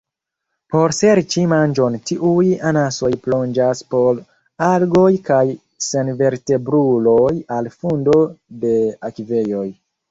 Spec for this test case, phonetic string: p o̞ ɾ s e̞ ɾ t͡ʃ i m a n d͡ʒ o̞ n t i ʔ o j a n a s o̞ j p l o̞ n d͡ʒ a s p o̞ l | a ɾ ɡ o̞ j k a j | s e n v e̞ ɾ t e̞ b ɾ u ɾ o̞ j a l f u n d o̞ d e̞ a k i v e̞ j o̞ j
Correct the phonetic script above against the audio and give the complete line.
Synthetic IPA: p o̞ ɾ s e̞ ɾ t͡ʃ i m a n d͡ʒ o̞ n t i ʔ u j a n a s o̞ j p l o̞ n d͡ʒ a s p o̞ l | a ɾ ɡ o̞ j k a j | s e n v e̞ ɾ t e̞ b ɾ u l o̞ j a l f u n d o̞ d e̞ a k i v e̞ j o̞ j